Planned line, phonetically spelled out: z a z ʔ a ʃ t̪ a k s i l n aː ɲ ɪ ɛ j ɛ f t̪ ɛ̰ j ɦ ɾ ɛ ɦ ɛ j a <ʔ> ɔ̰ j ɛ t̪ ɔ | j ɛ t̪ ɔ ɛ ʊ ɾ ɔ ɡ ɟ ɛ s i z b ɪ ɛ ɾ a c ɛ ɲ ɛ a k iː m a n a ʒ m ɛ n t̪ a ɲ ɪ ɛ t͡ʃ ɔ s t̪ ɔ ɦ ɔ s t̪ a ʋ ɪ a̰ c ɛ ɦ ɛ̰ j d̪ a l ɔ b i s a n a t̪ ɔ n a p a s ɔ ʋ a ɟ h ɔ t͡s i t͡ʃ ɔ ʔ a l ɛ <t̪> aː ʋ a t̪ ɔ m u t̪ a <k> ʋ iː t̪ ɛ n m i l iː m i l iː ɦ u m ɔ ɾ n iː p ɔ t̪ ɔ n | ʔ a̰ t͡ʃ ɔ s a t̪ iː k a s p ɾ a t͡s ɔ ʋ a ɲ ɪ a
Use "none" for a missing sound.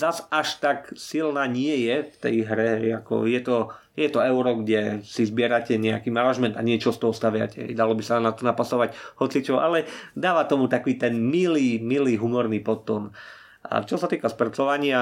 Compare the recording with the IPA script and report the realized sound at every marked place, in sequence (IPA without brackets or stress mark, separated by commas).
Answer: k, d̪, k